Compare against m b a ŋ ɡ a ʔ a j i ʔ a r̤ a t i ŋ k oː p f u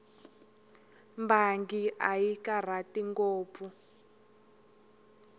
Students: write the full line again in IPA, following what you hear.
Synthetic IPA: m b a ŋ ɡ i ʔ a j i k a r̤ a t i ŋ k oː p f u